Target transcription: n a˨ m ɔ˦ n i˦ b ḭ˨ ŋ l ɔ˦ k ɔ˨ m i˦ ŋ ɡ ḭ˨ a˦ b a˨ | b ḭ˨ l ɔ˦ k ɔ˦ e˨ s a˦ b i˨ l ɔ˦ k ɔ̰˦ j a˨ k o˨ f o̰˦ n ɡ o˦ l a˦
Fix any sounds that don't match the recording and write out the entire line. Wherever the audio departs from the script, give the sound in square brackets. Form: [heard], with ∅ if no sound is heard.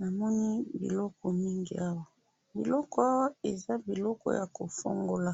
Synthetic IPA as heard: n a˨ m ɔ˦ n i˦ b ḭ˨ [∅] l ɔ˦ k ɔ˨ m i˦ ŋ ɡ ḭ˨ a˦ [w] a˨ | b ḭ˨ l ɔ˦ k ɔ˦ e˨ [z] a˦ b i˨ l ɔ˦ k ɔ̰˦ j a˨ k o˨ f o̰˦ [ŋ] ɡ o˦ l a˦

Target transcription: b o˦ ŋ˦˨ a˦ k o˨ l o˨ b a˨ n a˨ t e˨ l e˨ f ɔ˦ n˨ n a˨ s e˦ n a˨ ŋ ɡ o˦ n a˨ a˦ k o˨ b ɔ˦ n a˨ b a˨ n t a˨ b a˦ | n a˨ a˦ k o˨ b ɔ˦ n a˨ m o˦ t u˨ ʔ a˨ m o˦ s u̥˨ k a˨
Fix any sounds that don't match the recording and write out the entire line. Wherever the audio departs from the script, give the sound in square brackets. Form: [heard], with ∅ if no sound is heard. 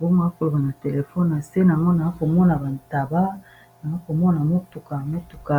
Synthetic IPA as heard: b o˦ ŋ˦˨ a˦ k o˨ l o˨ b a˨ n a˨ t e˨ l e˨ f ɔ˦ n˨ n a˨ s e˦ n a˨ ŋ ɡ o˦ n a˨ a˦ k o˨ [m] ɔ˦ n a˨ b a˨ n t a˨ b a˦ | n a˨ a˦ k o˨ [m] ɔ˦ n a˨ m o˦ t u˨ [k] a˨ m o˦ [t] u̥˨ k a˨

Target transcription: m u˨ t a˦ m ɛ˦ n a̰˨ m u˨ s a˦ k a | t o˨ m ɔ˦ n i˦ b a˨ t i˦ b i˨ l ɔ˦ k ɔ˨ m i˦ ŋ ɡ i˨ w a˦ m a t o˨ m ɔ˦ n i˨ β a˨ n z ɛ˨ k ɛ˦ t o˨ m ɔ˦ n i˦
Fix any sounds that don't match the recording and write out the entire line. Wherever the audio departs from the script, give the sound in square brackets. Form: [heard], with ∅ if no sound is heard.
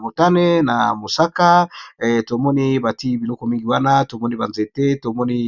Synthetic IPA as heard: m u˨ t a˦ [n] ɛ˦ n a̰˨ m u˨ s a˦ k a | t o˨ m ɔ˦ n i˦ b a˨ t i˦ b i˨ l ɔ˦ k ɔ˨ m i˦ ŋ ɡ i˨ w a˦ [n] a t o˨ m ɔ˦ n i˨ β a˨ n z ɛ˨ [t] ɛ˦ t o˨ m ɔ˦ n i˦

